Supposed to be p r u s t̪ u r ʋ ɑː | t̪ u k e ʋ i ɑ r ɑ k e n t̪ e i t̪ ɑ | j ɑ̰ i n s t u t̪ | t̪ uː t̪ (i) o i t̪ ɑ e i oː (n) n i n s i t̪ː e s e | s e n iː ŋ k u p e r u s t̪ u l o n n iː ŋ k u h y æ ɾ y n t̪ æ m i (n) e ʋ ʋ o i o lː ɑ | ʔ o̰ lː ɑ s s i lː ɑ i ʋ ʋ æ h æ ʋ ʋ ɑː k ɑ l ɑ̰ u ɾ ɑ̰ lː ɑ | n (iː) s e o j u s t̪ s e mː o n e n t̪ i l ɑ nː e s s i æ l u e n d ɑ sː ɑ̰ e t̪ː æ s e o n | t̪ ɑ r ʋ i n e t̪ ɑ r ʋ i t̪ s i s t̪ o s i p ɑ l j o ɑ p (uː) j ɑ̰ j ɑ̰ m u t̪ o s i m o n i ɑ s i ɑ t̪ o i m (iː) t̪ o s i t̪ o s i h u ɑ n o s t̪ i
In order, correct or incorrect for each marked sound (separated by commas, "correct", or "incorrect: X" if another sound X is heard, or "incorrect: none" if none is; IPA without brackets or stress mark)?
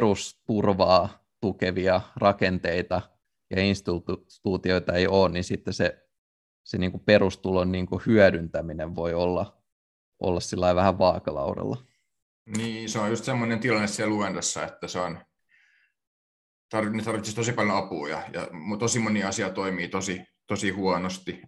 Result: correct, correct, correct, correct, correct, correct